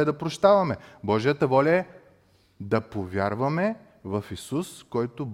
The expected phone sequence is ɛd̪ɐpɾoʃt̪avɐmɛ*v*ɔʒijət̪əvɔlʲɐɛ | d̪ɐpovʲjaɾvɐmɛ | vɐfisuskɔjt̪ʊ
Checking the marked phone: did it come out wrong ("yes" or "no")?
yes